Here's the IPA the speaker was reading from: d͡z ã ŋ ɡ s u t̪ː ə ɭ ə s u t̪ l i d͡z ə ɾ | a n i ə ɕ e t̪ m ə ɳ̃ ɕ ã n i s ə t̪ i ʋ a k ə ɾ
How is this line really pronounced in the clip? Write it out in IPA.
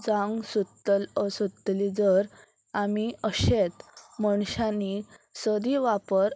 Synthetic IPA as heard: d͡z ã ŋ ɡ s u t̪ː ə l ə s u t̪ l i d͡z ə ɾ | a m i ə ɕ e t̪ m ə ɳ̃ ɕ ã n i s ə d̪ i ʋ a p ə ɾ